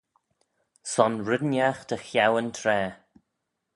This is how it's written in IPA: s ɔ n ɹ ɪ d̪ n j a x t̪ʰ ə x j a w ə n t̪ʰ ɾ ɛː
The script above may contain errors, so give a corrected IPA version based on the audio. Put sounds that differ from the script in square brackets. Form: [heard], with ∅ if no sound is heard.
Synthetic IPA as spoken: s ɔ n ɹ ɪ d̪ n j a x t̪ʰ ə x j a w ə n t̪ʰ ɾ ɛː